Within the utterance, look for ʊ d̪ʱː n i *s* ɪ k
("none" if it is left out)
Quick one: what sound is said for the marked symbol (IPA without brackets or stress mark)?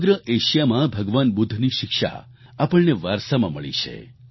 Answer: ʃ